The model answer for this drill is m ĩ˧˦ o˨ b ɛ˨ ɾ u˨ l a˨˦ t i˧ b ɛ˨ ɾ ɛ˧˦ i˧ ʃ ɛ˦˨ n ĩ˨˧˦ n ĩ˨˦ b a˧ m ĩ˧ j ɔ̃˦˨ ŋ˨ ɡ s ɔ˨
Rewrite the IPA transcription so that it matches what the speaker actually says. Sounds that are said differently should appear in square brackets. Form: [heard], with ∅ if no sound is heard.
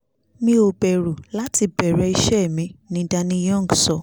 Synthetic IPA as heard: m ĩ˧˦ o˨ b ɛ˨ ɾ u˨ l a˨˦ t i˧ b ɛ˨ ɾ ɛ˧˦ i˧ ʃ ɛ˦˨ [m] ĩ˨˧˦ n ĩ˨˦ [d] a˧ [n] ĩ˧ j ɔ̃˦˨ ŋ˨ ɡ s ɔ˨

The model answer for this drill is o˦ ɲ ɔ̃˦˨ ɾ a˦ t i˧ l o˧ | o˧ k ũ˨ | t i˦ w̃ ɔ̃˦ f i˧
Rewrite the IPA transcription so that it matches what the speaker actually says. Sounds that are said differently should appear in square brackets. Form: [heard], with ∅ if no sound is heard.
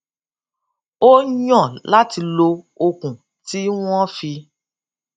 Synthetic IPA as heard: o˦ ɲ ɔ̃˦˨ [l] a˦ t i˧ l o˧ | o˧ k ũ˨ | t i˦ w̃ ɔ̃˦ f i˧

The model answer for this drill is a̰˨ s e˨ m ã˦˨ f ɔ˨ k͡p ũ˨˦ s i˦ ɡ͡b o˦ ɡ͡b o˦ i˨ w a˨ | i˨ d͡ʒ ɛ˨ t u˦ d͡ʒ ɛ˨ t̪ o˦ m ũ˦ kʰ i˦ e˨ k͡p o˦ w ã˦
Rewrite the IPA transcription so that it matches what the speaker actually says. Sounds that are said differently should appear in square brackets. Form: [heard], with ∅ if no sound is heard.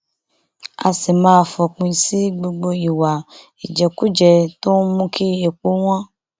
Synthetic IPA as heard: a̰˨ s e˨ m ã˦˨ f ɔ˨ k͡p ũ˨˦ s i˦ ɡ͡b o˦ ɡ͡b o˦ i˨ w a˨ | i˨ d͡ʒ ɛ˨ [k] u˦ d͡ʒ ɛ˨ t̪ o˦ m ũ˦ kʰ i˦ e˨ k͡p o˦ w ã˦

